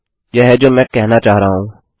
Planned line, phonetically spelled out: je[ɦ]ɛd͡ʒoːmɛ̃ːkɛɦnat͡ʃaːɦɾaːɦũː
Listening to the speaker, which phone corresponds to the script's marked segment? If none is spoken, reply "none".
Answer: ɦ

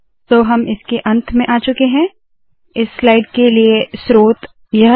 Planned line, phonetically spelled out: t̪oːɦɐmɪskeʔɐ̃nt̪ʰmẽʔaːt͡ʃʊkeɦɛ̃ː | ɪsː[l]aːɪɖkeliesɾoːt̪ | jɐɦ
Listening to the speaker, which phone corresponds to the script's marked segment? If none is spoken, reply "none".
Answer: l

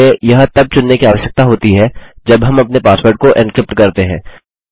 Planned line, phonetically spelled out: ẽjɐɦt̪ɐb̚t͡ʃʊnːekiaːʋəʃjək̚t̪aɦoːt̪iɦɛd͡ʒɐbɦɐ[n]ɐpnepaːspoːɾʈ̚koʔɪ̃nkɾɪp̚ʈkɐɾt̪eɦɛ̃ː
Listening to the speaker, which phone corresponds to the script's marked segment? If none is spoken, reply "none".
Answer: m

